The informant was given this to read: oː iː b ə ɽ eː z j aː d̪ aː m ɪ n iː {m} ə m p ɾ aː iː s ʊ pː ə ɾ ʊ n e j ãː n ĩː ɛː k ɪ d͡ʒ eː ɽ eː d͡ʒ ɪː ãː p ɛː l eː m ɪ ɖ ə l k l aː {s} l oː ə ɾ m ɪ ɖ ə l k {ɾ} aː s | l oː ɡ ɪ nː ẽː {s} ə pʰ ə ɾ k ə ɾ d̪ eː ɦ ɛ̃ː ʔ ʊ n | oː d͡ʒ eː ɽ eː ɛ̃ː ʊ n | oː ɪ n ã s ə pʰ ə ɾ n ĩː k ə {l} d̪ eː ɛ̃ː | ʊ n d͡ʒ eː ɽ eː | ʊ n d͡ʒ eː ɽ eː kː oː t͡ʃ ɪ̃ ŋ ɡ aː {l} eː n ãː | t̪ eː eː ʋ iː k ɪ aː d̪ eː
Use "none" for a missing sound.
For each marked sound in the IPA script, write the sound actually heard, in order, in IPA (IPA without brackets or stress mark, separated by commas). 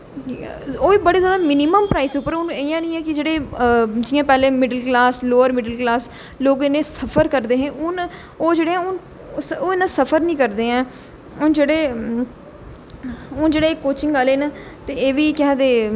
m, s, l, s, ɾ, l